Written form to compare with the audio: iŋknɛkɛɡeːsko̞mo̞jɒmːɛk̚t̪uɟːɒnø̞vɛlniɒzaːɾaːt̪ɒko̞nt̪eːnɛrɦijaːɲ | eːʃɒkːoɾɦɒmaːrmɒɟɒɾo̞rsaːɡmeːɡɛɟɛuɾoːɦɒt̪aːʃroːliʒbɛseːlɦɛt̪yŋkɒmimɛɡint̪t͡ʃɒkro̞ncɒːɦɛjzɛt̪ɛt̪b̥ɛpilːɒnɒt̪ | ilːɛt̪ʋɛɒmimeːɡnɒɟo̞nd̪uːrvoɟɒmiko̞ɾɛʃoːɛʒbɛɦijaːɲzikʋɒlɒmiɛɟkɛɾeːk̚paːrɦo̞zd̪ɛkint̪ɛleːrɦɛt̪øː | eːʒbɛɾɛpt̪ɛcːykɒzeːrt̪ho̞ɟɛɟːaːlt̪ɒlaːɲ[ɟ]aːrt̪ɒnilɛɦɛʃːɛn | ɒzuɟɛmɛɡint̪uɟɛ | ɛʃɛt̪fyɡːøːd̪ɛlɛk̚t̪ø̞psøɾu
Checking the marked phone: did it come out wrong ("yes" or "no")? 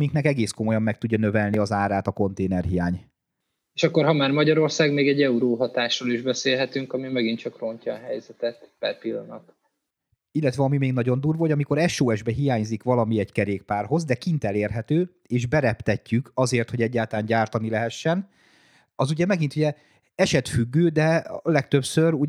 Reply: no